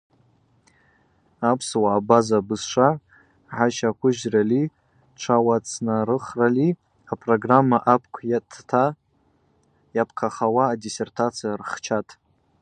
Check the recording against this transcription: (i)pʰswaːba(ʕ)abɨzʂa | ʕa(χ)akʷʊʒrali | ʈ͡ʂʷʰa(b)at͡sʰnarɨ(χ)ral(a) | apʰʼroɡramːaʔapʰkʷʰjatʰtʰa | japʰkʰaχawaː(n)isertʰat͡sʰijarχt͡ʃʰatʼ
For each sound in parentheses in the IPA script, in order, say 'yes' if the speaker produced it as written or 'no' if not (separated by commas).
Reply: no, no, no, no, yes, no, no